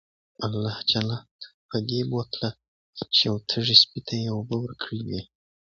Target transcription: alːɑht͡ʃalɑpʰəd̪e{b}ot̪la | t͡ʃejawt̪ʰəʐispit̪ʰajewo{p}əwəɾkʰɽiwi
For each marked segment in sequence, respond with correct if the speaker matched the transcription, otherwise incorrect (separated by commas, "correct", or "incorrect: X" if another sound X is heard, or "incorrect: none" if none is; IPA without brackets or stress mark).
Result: correct, incorrect: b